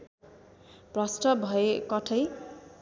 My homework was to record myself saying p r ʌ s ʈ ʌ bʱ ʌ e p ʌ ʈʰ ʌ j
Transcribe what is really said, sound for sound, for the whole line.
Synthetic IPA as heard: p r ʌ s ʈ ʌ bʱ ʌ e k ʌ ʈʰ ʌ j

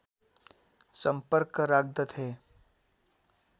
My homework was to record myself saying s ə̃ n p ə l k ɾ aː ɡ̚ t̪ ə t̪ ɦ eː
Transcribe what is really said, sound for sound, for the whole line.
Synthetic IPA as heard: s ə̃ m p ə ɾ k ɾ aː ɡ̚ d̪ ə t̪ ɦ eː

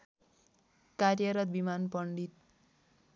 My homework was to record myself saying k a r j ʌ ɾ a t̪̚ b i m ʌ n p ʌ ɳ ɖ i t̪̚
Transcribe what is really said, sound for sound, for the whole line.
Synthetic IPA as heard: k a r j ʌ ɾ ʌ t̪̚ b i m a n p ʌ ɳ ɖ i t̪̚

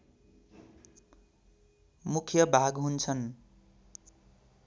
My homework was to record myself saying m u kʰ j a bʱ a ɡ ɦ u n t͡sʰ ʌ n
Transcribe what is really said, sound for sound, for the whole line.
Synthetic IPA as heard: m u kʰ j ʌ bʱ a ɡ ɦ u n t͡sʰ ʌ n

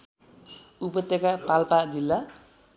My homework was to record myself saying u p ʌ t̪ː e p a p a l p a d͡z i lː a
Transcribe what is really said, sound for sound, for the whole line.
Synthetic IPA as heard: u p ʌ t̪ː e k a p a l p a d͡z i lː a

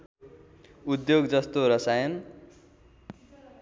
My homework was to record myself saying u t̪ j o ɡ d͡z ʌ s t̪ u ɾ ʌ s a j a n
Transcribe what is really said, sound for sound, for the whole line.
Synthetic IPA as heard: u d̪ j o ɡ d͡z ʌ s t̪ o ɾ ʌ s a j ʌ n

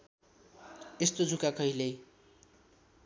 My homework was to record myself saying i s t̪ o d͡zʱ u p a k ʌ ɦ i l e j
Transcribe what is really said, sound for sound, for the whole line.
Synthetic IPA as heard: e s t̪ o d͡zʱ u k a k ʌ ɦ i l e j

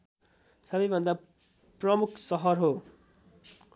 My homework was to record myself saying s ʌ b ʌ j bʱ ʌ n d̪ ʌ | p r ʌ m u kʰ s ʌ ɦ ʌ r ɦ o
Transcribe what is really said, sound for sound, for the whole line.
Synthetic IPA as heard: s ʌ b ʌ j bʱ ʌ n d̪ a | p r ʌ m u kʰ s ʌ ɦ ʌ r ɦ o

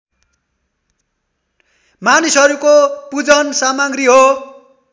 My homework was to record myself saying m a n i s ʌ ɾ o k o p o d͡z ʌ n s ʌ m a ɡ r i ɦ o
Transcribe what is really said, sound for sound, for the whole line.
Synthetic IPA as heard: m a n i s ʌ ɾ u k o p u d͡z ʌ n s a m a ɡ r i ɦ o

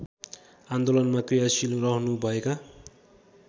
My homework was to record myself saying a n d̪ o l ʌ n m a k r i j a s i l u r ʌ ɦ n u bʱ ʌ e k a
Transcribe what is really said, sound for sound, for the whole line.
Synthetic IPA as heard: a n d̪ o l ʌ n m a k r i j a s i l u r ʌ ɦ n u bʱ ʌ e k a

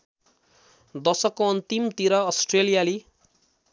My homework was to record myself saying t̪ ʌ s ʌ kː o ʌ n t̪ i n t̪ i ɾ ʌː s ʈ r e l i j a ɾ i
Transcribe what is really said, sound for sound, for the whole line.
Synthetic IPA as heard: d̪ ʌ s ʌ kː o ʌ n t̪ i m t̪ i ɾ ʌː s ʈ r e l i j a l i

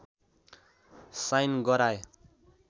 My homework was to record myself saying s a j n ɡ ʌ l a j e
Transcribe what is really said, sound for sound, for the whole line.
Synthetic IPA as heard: s a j n ɡ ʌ ɾ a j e

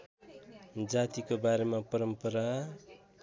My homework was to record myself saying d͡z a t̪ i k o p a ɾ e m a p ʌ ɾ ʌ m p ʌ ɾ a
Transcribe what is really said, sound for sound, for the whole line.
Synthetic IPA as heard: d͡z a t̪ i k o b a ɾ e m a p ʌ ɾ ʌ m p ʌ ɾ a

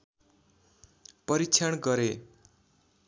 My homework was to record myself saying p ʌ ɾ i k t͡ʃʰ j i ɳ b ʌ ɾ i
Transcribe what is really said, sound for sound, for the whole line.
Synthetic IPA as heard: p ʌ ɾ i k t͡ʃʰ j a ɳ ɡ ʌ ɾ e

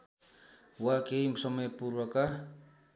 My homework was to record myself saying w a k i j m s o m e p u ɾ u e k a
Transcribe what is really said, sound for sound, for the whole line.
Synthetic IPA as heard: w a k e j m s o m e p u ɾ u a k a

